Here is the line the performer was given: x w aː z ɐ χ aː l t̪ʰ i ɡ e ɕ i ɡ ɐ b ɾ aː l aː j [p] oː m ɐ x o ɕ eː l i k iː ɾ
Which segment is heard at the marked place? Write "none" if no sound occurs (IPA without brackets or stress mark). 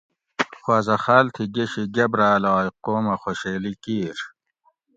q